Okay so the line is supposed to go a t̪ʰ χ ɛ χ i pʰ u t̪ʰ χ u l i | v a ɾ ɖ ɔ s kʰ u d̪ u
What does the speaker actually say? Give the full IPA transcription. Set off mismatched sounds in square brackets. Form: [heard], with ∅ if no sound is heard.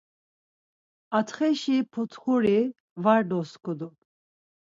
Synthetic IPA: a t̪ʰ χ ɛ [ʃ] i pʰ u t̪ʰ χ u [ɾ] i | v a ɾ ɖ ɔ s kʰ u d̪ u

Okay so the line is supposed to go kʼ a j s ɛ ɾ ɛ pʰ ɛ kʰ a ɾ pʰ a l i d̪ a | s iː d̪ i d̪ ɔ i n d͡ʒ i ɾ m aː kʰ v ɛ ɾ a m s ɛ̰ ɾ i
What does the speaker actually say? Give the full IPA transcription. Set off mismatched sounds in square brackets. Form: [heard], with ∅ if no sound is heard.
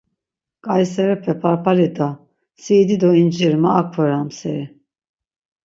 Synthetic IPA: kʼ a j s ɛ ɾ ɛ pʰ ɛ [pʰ] a ɾ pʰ a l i d̪ a | s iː d̪ i d̪ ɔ i n d͡ʒ i ɾ m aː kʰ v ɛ ɾ a m s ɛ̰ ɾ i

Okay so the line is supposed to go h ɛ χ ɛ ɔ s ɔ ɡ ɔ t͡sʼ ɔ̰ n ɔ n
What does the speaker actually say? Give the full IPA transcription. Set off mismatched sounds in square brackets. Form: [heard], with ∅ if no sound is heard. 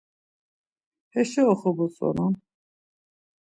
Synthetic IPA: h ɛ [ʃ] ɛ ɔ [χ] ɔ [b] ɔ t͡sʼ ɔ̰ n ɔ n

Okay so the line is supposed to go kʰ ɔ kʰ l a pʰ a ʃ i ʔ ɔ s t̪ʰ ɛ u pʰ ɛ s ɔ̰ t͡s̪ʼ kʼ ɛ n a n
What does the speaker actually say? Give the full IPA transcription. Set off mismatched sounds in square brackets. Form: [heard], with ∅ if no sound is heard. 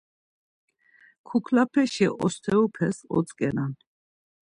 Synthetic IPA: kʰ [u] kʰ l a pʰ [ɛ] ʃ i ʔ ɔ s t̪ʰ ɛ u pʰ ɛ s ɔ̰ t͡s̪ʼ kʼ ɛ n a n

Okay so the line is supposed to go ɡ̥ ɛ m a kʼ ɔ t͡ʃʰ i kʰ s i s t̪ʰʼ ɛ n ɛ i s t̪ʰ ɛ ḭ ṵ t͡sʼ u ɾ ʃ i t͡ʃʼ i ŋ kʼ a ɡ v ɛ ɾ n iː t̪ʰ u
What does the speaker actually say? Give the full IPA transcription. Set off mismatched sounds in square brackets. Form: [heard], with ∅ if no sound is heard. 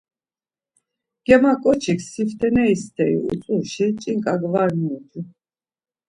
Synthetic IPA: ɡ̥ ɛ m a kʼ ɔ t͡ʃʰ i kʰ s i [f] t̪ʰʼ ɛ n ɛ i s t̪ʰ ɛ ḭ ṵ t͡sʼ u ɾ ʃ i t͡ʃʼ i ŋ kʼ a ɡ v [a] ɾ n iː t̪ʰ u

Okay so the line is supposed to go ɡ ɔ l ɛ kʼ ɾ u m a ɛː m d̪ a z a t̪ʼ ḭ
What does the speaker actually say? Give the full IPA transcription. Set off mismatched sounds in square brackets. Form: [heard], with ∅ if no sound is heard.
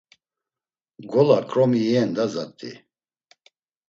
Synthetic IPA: ɡ ɔ l [a] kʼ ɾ [ɔ] m [i] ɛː [n] d̪ a z a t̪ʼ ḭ

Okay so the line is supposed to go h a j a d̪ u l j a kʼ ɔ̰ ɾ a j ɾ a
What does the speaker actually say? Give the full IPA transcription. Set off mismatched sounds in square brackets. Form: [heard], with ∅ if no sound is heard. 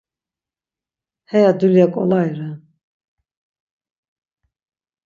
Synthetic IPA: h [ɛ] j a d̪ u l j a kʼ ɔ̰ [l] a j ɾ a

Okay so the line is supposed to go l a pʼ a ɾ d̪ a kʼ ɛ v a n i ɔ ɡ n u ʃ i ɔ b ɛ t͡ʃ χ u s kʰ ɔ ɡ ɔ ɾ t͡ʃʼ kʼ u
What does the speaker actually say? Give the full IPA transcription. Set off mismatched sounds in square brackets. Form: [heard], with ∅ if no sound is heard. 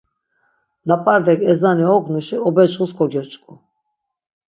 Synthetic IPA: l a pʼ a ɾ d̪ [ɛ] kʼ ɛ [z] a n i ɔ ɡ n u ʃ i ɔ b ɛ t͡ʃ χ u s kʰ ɔ ɡ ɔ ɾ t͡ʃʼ kʼ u

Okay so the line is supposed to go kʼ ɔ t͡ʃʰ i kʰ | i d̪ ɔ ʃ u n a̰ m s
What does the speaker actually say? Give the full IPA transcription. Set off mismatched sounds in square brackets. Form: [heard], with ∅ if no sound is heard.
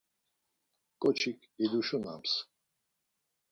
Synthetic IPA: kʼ ɔ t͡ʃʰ i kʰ | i d̪ [u] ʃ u n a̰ m s

